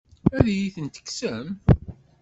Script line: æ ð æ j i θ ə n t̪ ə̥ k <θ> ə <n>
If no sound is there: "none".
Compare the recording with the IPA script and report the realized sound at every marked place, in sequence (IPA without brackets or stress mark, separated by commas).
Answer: s, m